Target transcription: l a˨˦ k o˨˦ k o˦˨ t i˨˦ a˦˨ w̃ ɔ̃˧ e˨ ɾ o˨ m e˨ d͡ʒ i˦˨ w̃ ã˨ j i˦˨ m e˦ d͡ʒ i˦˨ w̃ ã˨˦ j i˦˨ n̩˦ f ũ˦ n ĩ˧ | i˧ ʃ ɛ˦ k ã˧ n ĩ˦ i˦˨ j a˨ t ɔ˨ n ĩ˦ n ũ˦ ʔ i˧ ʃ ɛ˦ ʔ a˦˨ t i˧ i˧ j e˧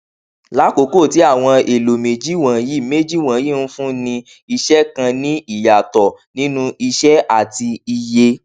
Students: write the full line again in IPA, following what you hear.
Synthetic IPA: l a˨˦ k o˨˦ k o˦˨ t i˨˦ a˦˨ w̃ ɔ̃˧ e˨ l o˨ m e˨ d͡ʒ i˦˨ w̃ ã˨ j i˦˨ m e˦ d͡ʒ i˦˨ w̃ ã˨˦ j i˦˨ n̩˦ f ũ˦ n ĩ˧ | i˧ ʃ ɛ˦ k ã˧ n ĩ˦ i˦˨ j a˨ t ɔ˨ n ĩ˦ n ũ˦ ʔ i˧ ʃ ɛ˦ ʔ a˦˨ t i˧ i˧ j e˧